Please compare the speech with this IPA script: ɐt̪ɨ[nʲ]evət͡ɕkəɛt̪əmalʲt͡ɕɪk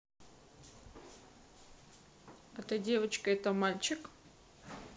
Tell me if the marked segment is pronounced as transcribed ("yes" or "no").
no